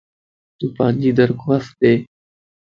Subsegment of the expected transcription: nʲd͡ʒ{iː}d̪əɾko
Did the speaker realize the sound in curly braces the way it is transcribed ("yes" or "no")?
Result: yes